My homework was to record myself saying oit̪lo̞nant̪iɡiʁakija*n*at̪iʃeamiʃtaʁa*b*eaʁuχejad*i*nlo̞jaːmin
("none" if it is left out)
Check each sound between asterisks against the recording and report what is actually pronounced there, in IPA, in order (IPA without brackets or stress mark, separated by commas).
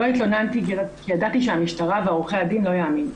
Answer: d, v, i